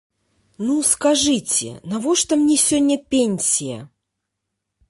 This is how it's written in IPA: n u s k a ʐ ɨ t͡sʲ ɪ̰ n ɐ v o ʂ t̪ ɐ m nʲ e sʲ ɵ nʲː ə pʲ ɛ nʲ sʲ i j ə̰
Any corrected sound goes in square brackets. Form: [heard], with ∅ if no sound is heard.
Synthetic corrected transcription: n u s k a ʐ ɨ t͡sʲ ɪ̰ n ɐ v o ʂ t̪ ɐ m nʲ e sʲ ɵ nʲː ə pʲ [e] nʲ sʲ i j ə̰